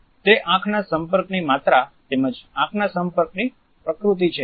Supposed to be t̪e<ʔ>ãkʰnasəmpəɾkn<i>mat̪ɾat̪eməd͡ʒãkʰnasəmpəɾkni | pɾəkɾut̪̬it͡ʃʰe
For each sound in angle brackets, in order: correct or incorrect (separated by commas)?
correct, correct